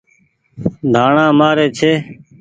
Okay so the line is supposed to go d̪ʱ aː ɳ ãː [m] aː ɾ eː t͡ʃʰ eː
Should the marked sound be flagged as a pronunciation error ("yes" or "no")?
no